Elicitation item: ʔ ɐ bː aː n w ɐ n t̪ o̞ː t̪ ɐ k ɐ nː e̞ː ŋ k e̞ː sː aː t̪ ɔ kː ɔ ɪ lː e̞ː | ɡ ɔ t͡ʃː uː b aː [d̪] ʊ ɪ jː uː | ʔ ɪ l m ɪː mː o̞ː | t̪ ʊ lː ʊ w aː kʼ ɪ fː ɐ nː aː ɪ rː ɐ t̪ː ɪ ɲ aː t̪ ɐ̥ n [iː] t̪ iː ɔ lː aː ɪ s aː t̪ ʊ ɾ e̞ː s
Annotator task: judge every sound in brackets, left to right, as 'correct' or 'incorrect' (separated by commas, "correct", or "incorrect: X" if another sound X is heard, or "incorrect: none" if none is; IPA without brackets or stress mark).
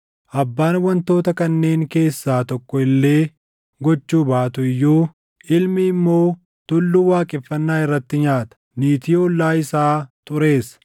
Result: incorrect: t̪, correct